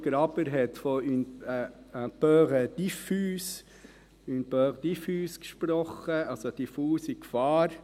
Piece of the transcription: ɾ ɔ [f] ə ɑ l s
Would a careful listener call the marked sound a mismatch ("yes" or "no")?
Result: yes